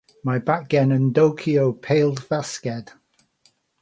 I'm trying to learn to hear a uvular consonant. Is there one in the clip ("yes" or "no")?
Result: no